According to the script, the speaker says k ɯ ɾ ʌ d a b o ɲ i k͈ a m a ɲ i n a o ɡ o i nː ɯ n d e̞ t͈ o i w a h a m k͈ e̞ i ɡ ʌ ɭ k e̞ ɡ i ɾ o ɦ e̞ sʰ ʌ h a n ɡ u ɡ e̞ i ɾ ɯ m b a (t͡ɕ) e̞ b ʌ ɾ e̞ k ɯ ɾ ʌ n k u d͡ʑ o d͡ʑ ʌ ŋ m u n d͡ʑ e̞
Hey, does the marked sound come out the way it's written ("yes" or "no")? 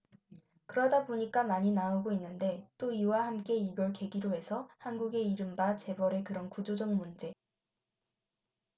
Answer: yes